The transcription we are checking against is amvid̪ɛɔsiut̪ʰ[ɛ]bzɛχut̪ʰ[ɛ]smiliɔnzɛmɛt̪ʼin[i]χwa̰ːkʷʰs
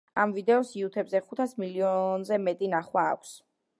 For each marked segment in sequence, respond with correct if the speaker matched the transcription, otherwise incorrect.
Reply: correct, incorrect, incorrect

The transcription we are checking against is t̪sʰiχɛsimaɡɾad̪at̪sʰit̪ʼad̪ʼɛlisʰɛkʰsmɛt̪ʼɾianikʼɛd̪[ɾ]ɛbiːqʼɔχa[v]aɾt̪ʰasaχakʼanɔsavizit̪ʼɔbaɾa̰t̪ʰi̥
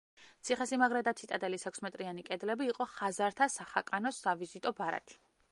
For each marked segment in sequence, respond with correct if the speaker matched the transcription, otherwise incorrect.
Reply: incorrect, incorrect

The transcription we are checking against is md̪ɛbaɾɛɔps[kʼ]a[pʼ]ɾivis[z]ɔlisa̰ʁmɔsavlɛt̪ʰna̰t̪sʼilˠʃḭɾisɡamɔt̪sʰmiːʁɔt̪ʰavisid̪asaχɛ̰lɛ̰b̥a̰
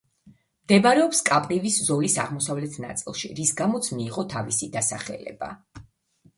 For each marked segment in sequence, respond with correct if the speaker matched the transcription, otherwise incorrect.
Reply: correct, correct, correct

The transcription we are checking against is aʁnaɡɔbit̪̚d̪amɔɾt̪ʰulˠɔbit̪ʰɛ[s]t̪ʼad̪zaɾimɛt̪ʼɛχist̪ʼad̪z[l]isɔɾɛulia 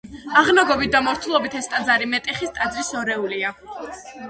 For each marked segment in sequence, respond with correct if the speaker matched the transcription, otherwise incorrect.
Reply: correct, incorrect

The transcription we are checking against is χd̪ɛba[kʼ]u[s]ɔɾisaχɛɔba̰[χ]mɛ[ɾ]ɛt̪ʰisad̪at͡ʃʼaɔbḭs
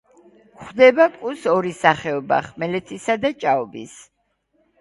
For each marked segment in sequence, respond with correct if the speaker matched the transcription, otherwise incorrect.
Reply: correct, correct, correct, incorrect

